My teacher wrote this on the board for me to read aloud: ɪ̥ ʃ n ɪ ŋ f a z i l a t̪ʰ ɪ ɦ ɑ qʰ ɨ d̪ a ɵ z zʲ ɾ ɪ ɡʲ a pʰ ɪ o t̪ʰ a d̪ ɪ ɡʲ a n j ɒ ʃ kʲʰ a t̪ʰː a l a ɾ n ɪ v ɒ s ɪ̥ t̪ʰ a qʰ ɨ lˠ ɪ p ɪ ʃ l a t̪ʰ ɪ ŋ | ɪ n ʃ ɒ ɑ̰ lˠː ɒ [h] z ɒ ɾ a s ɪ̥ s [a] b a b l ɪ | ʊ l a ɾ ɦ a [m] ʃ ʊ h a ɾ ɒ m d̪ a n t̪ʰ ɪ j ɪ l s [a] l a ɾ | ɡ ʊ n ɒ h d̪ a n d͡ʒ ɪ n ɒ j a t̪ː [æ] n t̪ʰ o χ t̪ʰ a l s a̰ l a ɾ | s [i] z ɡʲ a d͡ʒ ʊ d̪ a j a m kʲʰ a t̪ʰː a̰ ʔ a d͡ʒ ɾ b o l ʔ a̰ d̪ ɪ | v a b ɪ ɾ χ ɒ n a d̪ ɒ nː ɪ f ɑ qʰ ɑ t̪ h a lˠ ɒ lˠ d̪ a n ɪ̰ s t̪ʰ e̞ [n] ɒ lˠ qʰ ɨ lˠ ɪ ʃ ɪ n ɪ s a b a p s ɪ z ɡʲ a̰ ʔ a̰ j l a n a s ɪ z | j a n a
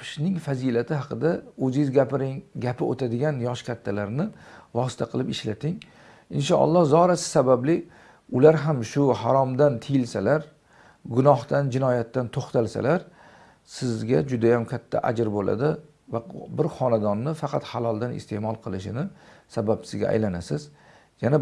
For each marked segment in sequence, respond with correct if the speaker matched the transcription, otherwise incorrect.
correct, correct, correct, correct, incorrect: a, incorrect: ɪ, incorrect: m

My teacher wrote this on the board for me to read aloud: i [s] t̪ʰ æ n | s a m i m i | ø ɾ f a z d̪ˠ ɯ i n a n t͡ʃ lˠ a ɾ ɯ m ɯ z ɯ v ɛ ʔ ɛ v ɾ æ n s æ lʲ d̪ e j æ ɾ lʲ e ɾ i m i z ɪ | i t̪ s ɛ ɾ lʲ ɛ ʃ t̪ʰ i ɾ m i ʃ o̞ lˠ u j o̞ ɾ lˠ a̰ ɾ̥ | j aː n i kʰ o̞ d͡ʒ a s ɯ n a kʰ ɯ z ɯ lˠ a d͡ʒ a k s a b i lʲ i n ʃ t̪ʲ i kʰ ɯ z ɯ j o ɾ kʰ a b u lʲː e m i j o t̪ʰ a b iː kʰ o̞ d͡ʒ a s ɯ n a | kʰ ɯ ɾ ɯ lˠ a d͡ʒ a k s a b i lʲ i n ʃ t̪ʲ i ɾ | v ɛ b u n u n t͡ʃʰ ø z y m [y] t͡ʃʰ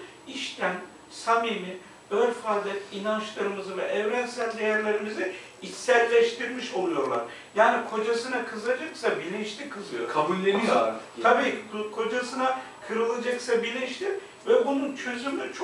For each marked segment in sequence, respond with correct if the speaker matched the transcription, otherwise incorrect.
incorrect: ʃ, correct

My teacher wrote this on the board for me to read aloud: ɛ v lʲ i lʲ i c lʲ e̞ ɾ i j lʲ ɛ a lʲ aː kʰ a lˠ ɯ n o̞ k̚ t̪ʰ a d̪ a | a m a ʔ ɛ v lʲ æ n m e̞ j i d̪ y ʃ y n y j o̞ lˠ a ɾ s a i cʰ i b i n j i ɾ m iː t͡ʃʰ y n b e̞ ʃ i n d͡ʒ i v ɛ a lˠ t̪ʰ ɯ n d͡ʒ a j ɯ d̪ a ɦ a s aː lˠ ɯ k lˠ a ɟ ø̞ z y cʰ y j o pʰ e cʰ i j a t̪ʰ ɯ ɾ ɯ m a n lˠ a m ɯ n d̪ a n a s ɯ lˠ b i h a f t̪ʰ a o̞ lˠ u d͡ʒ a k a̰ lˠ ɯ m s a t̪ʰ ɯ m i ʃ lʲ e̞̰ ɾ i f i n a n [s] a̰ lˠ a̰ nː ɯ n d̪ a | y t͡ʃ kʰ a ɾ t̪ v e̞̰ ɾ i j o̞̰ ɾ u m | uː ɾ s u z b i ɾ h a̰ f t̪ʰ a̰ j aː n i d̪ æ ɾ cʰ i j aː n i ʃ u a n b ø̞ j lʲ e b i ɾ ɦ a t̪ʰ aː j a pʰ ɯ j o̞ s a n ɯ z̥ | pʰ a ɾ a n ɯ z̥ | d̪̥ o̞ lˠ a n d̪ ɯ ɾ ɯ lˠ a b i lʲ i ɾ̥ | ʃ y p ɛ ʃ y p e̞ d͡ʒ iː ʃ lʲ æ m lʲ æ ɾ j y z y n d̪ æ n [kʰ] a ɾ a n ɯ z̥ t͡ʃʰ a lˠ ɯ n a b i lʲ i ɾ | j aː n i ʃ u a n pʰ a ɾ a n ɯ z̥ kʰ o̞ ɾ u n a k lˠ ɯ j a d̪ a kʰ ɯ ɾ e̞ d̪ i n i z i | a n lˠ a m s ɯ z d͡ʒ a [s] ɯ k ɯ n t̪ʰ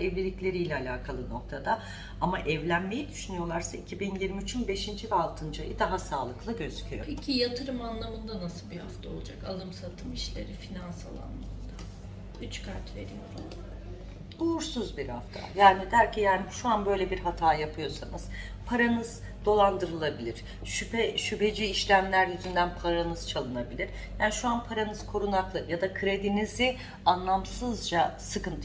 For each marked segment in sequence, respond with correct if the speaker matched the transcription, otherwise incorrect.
correct, incorrect: pʰ, correct

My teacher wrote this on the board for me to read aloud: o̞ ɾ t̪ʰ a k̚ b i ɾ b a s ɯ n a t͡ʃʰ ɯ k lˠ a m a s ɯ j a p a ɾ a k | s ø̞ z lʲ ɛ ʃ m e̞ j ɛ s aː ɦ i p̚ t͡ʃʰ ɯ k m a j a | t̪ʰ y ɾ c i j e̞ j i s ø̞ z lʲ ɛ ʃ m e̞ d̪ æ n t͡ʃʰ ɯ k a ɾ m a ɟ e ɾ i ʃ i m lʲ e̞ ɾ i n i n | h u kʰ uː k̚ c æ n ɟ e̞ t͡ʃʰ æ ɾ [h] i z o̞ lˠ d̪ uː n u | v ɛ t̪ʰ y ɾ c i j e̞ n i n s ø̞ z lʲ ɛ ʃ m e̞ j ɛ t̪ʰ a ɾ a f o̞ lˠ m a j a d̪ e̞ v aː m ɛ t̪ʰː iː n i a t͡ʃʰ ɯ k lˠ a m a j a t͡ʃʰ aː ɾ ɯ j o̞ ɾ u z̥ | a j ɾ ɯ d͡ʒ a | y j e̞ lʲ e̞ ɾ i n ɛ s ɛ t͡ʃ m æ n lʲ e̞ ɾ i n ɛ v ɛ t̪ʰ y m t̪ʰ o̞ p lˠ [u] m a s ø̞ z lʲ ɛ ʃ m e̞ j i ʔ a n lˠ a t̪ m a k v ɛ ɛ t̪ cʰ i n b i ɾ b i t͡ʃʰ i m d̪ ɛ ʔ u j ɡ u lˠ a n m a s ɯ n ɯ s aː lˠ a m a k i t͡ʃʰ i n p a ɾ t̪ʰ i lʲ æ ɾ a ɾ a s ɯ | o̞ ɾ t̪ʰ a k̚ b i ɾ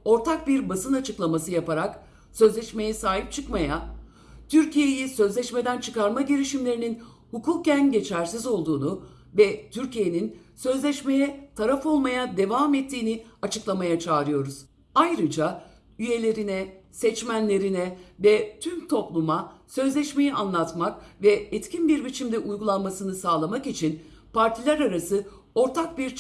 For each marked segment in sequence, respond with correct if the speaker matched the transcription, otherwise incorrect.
incorrect: s, correct

